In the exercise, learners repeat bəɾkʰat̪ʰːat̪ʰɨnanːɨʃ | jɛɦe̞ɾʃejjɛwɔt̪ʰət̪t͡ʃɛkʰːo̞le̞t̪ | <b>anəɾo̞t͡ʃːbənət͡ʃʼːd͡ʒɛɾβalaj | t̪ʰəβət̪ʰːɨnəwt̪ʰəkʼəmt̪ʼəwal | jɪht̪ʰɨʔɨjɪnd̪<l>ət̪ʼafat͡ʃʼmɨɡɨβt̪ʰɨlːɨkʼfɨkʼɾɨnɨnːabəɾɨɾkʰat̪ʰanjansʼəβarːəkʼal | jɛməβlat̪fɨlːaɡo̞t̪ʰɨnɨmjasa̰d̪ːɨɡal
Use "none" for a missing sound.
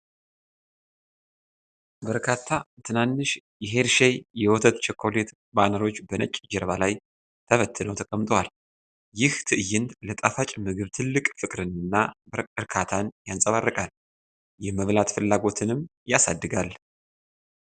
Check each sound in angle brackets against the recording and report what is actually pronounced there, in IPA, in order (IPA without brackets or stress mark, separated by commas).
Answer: b, l